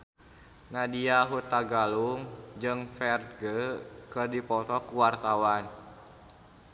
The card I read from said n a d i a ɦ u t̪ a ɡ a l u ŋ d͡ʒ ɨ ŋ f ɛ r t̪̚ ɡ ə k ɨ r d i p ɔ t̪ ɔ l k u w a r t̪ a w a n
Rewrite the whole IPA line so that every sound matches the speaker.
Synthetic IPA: n a d i a ɦ u t̪ a ɡ a l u ŋ d͡ʒ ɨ ŋ f ɛ r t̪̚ ɡ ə k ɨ r d i p ɔ t̪ ɔ k u w a r t̪ a w a n